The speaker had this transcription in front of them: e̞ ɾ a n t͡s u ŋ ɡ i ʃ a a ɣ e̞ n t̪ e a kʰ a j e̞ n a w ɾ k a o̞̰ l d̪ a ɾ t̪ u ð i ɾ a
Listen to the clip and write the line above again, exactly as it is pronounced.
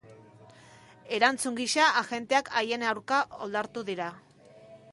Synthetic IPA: e̞ ɾ a n t͡s u ŋ ɡ i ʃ a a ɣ e̞ n t̪ e a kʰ a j e̞ n a w ɾ k a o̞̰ l d̪ a ɾ t̪ u ð i ɾ a